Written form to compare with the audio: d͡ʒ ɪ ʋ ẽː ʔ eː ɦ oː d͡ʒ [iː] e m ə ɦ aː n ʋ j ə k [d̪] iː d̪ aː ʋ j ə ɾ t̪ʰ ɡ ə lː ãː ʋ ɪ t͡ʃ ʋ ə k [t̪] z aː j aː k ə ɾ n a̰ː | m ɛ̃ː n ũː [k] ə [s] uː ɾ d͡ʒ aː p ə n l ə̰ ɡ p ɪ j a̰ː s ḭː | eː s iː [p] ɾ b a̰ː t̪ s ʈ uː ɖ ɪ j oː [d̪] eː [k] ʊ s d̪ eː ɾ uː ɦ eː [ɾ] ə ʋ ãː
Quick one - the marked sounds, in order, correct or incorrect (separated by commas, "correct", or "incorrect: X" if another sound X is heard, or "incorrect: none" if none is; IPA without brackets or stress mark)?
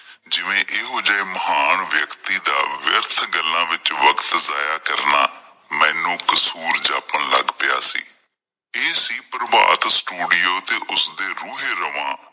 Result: incorrect: aː, incorrect: t̪, correct, correct, correct, correct, incorrect: t̪, incorrect: ʔ, correct